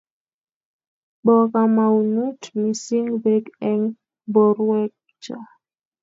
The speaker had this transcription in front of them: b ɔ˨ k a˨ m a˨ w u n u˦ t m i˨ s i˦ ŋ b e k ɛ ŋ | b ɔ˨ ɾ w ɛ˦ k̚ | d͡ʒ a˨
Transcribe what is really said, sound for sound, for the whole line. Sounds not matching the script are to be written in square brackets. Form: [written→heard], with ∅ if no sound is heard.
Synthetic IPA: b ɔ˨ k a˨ m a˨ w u n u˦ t m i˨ s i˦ ŋ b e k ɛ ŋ | b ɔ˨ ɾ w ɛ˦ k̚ | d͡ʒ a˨

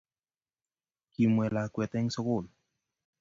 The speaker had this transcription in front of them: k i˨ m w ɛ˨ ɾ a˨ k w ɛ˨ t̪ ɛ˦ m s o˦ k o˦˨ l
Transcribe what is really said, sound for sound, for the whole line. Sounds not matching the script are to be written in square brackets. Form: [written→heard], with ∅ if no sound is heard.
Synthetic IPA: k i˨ m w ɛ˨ [ɾ→l] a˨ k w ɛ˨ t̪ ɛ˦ [m→ŋ] s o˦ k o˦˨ l

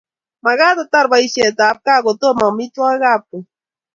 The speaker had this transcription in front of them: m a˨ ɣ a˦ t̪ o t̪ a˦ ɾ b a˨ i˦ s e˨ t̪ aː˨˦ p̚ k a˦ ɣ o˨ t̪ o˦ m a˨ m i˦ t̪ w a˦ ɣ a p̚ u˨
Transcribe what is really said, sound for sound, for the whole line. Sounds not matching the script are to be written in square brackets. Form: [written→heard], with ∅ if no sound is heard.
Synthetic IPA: m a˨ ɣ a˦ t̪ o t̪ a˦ ɾ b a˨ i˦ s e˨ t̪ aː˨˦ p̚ k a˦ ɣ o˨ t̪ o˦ m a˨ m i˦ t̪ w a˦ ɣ a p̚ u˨

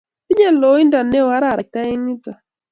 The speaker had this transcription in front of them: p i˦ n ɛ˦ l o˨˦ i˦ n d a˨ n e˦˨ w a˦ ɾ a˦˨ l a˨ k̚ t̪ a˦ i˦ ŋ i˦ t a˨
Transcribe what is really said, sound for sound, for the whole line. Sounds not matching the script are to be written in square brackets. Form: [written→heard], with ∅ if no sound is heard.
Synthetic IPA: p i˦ [n→ɲ] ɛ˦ l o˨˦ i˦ n d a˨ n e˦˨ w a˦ ɾ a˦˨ [l→ɾ] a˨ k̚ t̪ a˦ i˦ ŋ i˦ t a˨

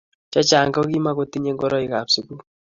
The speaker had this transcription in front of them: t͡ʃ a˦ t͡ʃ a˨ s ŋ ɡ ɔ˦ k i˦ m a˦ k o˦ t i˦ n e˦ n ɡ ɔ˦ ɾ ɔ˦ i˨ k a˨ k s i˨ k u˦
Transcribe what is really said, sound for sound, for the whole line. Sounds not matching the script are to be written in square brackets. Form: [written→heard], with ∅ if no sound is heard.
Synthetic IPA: t͡ʃ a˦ t͡ʃ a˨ [s→∅] ŋ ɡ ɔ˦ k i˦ m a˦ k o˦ t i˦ [n→ɲ] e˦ [n→ŋ] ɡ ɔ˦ ɾ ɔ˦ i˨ k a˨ [k→p] s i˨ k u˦

